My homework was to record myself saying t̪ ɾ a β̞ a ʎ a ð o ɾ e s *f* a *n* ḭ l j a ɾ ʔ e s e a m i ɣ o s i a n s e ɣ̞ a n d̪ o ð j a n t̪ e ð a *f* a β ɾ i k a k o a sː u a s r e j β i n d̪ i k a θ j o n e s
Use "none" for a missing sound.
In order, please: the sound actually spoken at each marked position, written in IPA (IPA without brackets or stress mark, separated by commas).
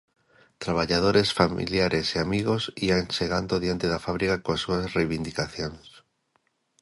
f, m, f